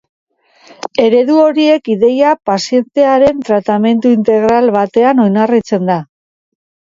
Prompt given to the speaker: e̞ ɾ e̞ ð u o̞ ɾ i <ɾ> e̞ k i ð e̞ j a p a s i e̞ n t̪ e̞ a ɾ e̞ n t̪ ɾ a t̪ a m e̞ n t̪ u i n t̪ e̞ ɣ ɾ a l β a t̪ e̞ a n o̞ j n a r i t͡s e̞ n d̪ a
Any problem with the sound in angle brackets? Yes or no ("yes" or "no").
yes